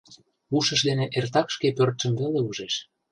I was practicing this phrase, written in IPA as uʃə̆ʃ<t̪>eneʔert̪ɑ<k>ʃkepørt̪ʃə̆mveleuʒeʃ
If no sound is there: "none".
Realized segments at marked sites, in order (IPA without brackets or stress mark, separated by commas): d̪, k